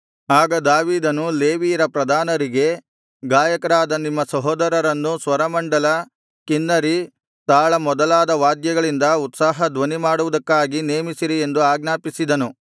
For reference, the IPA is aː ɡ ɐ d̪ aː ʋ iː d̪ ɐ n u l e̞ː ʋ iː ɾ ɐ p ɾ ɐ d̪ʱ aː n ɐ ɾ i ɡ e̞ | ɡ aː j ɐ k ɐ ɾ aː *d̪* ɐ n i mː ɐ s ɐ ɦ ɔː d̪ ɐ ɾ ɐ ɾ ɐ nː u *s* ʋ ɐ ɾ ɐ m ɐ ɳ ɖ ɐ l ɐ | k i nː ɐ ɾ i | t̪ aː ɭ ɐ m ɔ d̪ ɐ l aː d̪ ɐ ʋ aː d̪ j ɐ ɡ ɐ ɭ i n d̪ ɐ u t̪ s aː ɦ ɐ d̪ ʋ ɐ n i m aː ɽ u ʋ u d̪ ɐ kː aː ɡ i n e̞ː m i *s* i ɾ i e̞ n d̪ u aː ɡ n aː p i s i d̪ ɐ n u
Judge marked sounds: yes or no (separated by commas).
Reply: yes, yes, yes